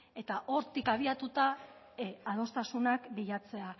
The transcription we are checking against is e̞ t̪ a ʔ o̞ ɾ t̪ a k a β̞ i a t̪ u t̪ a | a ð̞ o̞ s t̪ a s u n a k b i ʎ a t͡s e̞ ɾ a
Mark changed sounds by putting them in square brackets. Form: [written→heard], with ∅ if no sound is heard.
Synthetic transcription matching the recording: e̞ t̪ a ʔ o̞ ɾ t̪ [a→i] k a β̞ i a t̪ u t̪ a | a ð̞ o̞ s t̪ a s u n a k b i ʎ a t͡s e̞ [ɾ→∅] a